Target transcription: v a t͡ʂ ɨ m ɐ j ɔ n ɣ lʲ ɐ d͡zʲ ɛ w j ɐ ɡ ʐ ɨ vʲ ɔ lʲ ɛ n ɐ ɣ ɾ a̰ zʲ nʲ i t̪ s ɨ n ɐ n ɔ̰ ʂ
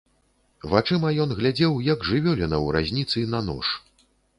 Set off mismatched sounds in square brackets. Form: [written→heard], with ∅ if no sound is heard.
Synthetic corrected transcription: v a t͡ʂ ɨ m ɐ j ɔ n ɣ lʲ [ɐ→a] d͡zʲ ɛ w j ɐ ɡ ʐ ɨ vʲ ɔ lʲ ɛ n ɐ [ɣ→w] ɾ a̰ zʲ nʲ i t̪ s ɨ n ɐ n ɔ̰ ʂ